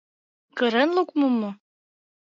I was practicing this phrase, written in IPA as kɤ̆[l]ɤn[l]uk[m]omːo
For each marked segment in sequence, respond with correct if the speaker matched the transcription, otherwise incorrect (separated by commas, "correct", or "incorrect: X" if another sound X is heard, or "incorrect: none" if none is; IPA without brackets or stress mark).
incorrect: ɾ, correct, correct